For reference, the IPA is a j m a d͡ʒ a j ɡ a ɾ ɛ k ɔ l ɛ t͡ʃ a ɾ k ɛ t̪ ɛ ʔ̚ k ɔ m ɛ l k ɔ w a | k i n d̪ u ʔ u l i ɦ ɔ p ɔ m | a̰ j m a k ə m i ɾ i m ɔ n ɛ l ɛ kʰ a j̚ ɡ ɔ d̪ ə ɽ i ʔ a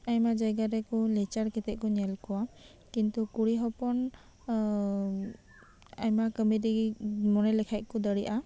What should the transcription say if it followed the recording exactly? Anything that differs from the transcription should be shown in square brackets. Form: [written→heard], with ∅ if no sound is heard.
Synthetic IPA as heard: a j m a d͡ʒ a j ɡ a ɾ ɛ k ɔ l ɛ t͡ʃ a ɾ k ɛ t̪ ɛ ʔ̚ k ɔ [m→ɲ] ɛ l k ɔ w a | k i n [d̪→t̪] u [ʔ→k] u [l→ɽ] i ɦ ɔ p ɔ [m→n] | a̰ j m a k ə m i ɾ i m ɔ n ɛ l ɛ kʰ a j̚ [ɡ→k] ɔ d̪ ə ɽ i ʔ a

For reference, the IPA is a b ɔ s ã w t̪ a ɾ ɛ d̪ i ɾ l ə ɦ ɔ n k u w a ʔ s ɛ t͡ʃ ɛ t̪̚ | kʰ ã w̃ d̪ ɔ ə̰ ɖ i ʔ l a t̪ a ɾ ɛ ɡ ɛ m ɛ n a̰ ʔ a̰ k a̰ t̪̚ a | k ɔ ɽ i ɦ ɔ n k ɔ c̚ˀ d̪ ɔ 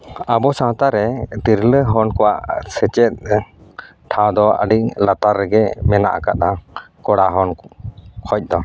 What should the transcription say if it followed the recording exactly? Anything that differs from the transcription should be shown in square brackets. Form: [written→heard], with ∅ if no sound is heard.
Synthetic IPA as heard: a b ɔ s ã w t̪ a ɾ ɛ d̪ i ɾ l ə ɦ ɔ n k [u→ɔ] w a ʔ s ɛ t͡ʃ ɛ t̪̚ | [kʰ→ʈʰ] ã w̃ d̪ ɔ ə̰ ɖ i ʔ l a t̪ a ɾ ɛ ɡ ɛ m ɛ n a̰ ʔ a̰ k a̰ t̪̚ a | k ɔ ɽ [i→a] ɦ ɔ n [k→kʰ] ɔ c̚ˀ d̪ ɔ

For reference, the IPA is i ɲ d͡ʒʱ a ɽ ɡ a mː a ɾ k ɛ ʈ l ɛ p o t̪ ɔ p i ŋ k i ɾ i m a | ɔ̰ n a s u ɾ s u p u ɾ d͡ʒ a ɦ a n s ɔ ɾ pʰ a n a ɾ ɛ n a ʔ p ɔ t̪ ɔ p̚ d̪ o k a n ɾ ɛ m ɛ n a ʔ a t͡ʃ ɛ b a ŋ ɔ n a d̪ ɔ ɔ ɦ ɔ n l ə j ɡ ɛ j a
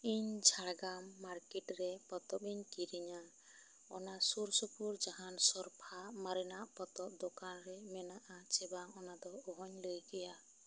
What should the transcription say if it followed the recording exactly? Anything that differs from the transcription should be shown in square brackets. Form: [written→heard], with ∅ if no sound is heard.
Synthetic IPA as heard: i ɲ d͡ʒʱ a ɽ ɡ a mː a ɾ k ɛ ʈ [l→ɾ] ɛ p [o→ɔ] t̪ ɔ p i [ŋ→ɲ] k i ɾ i [m→ɲ] a | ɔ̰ n a s u ɾ s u p u ɾ d͡ʒ a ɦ a n s ɔ ɾ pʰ a [n→m] a ɾ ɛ n a ʔ p ɔ t̪ ɔ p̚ d̪ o k a n ɾ ɛ m ɛ n a ʔ a t͡ʃ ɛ b a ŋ ɔ n a d̪ ɔ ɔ ɦ ɔ [n→ɲ] l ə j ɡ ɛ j a

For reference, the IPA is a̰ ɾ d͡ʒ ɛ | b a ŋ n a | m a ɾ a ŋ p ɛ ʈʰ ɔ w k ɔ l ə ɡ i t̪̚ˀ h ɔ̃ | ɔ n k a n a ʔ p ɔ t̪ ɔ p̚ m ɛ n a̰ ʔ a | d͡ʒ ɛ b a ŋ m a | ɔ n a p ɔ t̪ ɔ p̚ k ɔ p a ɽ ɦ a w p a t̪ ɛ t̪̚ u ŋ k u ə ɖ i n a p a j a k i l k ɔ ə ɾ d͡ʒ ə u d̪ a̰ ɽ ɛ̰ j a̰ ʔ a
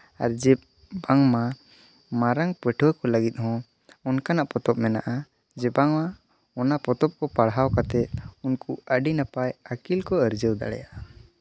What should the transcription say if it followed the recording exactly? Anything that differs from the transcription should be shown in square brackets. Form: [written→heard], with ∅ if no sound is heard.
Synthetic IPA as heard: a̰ ɾ d͡ʒ ɛ | b a ŋ [n→m] a | m a ɾ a ŋ p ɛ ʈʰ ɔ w k ɔ l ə ɡ i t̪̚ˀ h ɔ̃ | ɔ n k a n a ʔ p ɔ t̪ ɔ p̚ m ɛ n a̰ ʔ a | d͡ʒ ɛ b a ŋ m a | ɔ n a p ɔ t̪ ɔ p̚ k ɔ p a ɽ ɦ a w [p→k] a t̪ ɛ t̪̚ u [ŋ→n] k u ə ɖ i n a p a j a k i l k ɔ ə ɾ d͡ʒ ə [u→w] d̪ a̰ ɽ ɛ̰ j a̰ ʔ a

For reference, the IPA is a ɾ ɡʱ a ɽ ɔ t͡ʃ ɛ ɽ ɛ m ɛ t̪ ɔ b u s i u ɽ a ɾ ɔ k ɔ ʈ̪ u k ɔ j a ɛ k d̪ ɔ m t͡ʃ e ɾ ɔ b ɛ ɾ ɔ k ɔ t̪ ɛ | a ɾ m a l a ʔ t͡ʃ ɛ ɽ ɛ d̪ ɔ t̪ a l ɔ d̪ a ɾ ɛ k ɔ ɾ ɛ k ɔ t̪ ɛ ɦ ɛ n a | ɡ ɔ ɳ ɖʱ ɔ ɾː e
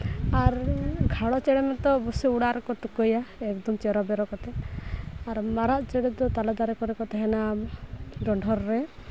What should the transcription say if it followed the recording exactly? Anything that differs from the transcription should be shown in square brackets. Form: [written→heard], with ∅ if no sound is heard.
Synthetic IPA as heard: a ɾ ɡʱ a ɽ ɔ t͡ʃ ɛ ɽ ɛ m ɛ t̪ ɔ b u s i u ɽ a ɾ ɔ k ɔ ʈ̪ u k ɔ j a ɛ k d̪ ɔ m t͡ʃ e ɾ ɔ b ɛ ɾ ɔ k ɔ t̪ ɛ | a ɾ m a [l→ɾ] a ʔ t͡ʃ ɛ ɽ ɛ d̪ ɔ t̪ a l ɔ d̪ a ɾ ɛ k ɔ ɾ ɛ k ɔ t̪ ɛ ɦ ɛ n a | ɡ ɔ ɳ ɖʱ ɔ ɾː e

